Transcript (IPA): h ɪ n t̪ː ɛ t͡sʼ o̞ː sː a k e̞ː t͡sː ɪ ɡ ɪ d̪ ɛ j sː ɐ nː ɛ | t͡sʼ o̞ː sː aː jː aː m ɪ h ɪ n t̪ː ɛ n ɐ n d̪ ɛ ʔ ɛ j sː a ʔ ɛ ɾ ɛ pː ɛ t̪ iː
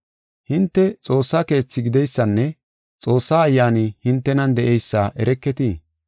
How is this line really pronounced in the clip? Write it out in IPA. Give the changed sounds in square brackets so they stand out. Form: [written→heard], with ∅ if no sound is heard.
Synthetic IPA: h ɪ n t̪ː ɛ t͡sʼ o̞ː sː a k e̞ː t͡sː ɪ ɡ ɪ d̪ ɛ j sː ɐ nː ɛ | t͡sʼ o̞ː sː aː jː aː [m→n] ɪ h ɪ n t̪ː ɛ n ɐ n d̪ ɛ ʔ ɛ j sː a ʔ ɛ ɾ ɛ [pː→kː] ɛ t̪ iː